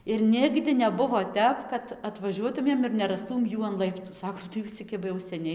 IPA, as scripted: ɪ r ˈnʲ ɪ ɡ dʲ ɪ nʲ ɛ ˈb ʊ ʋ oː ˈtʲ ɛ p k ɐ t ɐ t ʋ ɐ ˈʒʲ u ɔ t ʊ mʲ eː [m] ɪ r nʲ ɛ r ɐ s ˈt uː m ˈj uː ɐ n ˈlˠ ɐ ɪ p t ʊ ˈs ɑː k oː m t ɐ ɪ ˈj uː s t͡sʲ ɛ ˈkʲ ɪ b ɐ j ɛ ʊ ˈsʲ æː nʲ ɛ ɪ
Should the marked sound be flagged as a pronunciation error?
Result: no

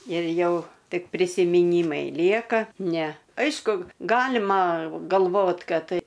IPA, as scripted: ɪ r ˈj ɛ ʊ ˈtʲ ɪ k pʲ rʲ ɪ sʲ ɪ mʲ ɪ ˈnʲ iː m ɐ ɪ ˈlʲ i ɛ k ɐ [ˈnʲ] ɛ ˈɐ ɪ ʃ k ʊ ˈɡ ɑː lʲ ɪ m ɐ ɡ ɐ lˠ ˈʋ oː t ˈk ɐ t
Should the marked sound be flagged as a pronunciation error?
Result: no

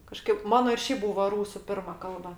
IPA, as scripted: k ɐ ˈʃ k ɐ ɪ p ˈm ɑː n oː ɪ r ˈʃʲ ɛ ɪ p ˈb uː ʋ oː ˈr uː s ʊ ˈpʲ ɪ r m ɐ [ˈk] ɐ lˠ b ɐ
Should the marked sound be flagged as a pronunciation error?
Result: no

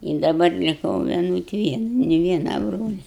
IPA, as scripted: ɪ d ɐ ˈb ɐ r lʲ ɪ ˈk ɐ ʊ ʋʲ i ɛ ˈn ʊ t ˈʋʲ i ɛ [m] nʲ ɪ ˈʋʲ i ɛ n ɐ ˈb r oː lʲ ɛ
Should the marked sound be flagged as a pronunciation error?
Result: yes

